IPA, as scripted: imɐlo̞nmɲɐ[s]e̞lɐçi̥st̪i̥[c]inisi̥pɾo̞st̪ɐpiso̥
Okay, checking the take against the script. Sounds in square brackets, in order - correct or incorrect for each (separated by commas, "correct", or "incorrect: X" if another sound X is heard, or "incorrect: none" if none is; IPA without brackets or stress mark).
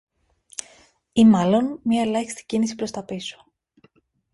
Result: incorrect: none, correct